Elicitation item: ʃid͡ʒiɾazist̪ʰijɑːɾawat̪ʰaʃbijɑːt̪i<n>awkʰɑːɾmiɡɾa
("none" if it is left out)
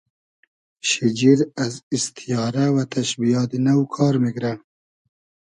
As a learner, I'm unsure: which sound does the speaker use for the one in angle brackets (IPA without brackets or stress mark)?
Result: n